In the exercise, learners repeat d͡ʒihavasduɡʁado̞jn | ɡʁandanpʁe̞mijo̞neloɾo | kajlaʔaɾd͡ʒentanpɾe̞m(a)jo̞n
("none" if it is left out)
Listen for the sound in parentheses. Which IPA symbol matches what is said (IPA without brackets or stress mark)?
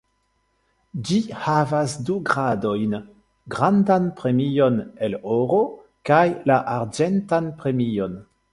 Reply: i